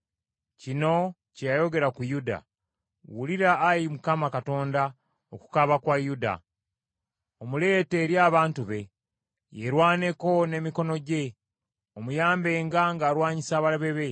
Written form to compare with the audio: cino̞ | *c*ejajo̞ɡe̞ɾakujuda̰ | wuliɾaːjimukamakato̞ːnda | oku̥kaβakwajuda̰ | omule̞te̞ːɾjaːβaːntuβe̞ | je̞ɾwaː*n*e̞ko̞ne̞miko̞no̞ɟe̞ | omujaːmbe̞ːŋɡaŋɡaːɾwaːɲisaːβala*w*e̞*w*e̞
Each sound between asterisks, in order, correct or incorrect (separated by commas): correct, correct, incorrect, incorrect